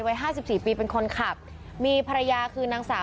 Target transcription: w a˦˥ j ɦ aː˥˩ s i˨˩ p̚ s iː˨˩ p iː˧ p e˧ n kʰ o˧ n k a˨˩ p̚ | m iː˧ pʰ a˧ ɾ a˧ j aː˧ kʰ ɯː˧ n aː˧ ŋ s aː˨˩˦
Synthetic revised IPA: w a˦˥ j ɦ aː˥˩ s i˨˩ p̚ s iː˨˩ p iː˧ p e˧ n kʰ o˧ n kʰ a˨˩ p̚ | m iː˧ pʰ a˧ ɾ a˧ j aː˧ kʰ ɯː˧ n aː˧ ŋ s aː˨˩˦